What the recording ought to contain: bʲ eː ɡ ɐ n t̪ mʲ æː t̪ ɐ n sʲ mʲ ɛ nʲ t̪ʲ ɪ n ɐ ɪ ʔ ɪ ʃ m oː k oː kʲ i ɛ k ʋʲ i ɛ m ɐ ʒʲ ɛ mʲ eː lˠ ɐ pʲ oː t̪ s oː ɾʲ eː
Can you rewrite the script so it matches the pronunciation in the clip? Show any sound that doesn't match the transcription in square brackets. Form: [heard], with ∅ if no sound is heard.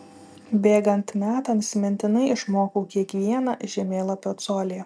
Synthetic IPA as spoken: bʲ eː ɡ ɐ n t̪ mʲ æː t̪ ɐ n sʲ mʲ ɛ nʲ t̪ʲ ɪ n ɐ ɪ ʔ ɪ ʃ m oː k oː kʲ i ɛ k ʋʲ i ɛ [n] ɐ ʒʲ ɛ mʲ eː lˠ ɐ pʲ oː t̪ s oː [lʲ] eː